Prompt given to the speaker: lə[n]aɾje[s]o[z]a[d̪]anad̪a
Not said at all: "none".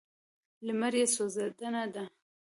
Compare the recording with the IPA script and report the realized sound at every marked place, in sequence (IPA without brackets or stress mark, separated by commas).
m, s, z, d̪